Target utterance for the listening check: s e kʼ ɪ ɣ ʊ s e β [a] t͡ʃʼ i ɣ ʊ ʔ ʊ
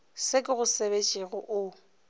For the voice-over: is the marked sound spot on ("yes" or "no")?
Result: no